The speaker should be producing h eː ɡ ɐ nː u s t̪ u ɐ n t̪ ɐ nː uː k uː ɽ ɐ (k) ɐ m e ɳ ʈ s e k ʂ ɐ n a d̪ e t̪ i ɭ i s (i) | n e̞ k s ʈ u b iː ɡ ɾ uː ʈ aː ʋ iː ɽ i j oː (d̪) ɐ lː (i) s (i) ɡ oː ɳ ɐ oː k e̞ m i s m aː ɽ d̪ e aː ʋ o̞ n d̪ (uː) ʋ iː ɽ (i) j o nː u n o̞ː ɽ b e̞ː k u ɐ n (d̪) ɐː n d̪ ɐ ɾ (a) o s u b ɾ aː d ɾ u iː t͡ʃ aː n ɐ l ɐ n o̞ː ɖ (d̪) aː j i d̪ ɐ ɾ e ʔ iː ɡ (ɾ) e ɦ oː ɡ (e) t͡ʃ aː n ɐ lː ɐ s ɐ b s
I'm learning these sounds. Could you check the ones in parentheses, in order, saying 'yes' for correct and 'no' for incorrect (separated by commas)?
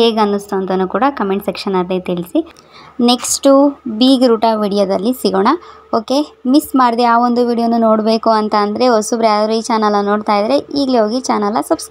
yes, yes, yes, yes, yes, no, yes, no, no, no, no, no